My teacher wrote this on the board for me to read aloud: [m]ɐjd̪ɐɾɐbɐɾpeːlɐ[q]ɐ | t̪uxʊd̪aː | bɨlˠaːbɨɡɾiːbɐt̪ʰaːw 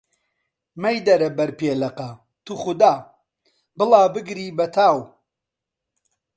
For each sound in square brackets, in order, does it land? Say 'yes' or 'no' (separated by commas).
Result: yes, yes